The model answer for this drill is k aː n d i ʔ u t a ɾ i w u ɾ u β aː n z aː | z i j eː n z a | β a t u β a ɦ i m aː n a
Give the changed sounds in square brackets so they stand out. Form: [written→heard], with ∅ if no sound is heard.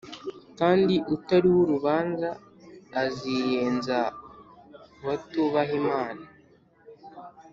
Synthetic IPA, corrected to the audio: k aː n d i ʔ u t a ɾ i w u ɾ u β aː n z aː | z i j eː n z a | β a t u β a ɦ i m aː n a